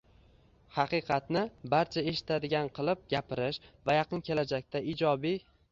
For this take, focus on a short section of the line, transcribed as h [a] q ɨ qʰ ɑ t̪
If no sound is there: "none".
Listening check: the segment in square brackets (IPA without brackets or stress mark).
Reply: ɑ